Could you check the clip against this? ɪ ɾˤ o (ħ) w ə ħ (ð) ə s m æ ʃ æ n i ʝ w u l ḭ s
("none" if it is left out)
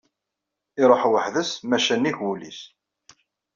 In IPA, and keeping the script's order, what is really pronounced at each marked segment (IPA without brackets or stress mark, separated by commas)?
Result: ħ, ð